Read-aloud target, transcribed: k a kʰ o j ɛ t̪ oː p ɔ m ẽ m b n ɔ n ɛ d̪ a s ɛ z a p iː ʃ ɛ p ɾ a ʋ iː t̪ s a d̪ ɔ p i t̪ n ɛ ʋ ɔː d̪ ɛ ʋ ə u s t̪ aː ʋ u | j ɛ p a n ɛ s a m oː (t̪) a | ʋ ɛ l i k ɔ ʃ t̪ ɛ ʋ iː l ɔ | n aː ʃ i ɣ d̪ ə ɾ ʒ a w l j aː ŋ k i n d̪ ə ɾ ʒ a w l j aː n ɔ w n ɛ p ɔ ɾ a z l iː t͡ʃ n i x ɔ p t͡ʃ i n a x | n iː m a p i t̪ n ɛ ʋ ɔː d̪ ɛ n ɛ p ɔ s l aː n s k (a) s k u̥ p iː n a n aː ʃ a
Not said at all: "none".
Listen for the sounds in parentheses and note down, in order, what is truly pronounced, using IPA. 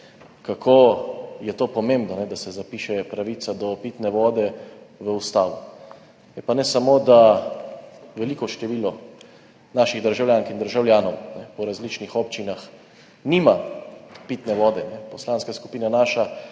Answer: d̪, a

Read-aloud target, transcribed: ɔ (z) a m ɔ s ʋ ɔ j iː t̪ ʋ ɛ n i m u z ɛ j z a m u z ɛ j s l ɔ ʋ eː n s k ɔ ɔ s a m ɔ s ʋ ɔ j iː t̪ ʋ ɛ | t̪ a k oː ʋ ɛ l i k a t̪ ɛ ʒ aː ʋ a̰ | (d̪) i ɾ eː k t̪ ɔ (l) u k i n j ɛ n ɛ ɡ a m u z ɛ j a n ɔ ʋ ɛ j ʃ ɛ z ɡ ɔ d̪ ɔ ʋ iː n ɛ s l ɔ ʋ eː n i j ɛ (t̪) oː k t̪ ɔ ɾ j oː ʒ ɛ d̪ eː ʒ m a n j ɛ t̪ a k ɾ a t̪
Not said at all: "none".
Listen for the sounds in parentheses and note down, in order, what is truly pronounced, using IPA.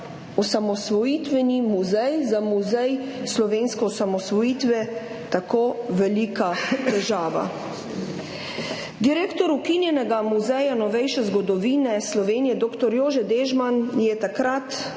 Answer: s, d̪, ɾ, d̪

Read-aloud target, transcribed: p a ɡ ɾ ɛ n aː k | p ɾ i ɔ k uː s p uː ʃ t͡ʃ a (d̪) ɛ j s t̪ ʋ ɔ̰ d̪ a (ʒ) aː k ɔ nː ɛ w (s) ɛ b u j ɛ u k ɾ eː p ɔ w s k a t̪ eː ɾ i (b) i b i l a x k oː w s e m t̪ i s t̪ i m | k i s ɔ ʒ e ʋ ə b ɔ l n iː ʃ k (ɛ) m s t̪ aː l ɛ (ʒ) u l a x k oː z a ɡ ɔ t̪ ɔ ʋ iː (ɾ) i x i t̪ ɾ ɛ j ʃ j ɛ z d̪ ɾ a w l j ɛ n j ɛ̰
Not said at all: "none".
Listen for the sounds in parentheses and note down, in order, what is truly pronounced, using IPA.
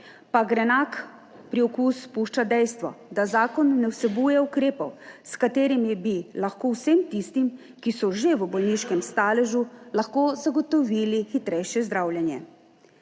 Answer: d̪, z, s, m, ɛ, ʒ, l

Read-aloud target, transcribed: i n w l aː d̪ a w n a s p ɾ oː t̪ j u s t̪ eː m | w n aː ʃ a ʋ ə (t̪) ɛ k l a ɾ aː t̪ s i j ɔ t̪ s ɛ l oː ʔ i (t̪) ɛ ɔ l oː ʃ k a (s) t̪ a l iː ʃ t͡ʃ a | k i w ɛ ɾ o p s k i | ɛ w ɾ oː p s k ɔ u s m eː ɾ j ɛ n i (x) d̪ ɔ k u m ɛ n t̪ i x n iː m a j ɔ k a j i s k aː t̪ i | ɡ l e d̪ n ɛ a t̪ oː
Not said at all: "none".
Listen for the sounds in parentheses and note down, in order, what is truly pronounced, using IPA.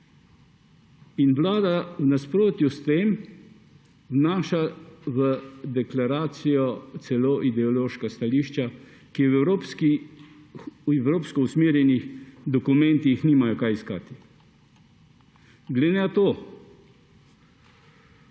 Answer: d̪, d̪, s, x

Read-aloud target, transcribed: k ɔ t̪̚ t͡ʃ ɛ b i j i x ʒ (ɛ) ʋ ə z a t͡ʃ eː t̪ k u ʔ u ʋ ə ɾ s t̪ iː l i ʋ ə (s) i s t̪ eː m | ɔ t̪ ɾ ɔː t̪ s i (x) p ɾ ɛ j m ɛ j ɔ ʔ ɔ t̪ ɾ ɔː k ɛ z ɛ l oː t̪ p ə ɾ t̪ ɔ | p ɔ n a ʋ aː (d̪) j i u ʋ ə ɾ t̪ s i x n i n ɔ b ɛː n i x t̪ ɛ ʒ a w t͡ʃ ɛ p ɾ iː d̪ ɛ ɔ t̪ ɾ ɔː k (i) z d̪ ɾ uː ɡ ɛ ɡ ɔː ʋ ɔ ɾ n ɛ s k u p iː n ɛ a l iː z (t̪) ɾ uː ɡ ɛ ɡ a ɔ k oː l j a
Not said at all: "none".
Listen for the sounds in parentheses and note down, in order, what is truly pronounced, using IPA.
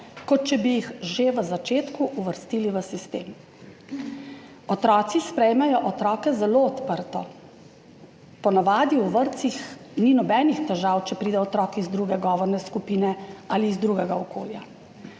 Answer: e, s, s, d̪, i, d̪

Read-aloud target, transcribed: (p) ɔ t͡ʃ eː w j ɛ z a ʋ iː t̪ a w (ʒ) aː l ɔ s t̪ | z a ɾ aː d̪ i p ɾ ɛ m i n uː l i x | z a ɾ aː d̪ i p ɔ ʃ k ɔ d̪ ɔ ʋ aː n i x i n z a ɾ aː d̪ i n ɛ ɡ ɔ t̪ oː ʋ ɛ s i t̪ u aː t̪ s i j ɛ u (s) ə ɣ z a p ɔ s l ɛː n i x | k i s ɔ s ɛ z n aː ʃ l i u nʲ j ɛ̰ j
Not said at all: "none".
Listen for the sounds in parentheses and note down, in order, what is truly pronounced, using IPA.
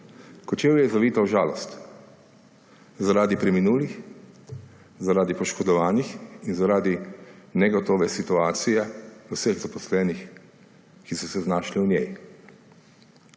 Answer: k, ʒ, s

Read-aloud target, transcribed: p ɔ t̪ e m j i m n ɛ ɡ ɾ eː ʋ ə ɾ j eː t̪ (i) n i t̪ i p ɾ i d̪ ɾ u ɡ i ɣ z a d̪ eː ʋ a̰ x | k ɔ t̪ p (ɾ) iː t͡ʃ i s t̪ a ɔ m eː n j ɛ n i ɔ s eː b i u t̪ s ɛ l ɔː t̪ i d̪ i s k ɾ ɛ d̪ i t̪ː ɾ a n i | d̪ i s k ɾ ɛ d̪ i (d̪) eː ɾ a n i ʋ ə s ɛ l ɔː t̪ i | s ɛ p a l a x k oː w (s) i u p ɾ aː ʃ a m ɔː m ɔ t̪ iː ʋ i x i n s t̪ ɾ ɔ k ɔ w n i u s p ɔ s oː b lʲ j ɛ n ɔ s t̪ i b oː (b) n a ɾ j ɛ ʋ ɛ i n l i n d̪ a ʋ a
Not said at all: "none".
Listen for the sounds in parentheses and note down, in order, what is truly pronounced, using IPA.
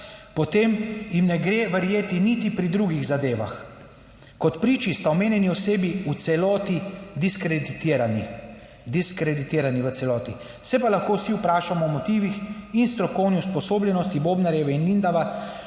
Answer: i, ɾ, t̪, s, b

